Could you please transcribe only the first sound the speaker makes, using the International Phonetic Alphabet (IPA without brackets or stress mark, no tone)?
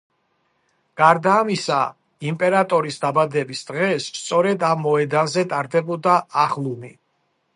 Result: ɡ̥